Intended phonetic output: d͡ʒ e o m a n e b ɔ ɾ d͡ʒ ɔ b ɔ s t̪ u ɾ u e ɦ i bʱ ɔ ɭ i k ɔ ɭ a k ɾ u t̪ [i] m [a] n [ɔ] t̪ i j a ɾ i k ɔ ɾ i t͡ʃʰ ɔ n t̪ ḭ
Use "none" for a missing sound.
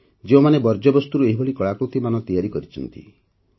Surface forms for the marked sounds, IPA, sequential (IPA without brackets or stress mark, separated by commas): i, a, ɔ